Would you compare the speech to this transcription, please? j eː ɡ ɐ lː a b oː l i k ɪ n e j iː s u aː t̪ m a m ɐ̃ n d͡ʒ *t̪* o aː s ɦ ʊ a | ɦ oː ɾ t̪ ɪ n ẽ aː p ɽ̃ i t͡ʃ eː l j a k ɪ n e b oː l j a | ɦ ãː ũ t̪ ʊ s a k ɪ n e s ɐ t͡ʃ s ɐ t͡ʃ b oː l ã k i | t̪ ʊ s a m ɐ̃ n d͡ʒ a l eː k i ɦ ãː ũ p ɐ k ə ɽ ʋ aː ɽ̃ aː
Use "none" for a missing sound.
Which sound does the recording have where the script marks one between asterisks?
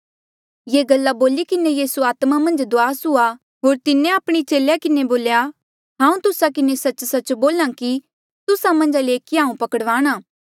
d̪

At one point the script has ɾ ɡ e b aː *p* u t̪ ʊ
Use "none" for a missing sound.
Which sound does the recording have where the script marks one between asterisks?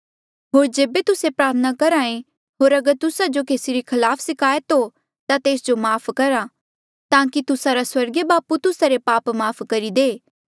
p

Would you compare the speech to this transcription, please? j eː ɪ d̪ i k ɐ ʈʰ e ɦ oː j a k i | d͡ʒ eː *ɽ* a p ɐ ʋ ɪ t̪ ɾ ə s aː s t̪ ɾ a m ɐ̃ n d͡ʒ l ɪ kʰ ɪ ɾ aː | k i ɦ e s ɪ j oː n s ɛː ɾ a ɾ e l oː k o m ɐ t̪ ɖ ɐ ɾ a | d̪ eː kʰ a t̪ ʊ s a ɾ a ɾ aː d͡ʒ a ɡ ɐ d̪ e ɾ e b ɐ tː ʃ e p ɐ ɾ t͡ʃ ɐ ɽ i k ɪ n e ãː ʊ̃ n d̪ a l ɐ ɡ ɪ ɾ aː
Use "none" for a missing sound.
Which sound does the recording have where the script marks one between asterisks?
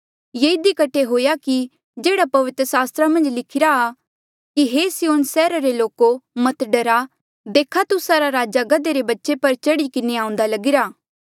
ɽ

